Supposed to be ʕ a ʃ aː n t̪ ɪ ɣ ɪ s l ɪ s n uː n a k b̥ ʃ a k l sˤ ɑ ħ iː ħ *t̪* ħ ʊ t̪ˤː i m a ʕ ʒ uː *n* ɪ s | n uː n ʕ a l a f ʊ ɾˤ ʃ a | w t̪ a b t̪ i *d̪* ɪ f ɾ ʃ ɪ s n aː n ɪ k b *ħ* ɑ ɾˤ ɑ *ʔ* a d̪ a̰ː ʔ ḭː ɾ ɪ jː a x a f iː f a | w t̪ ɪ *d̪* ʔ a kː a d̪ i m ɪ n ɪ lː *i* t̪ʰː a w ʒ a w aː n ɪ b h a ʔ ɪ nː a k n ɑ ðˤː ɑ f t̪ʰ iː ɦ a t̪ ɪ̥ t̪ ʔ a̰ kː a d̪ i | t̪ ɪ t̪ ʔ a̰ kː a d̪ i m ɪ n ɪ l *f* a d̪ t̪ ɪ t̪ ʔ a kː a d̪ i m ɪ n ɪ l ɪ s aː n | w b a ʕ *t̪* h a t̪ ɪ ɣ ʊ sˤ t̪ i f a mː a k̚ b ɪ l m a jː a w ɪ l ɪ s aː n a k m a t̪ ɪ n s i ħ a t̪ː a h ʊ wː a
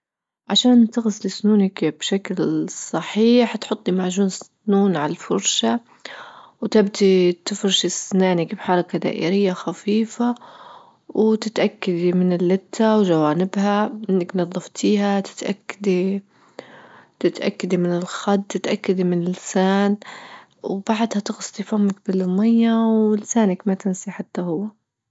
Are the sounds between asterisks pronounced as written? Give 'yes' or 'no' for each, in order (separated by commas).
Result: yes, yes, no, yes, no, no, no, no, no